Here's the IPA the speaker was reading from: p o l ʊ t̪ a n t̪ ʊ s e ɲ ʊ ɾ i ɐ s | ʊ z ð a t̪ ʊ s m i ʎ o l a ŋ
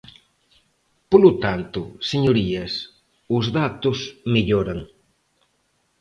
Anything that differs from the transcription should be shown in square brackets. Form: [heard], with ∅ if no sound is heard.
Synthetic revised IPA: p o l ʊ t̪ a n t̪ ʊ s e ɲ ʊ ɾ i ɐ s | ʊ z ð a t̪ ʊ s m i ʎ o [ɾ] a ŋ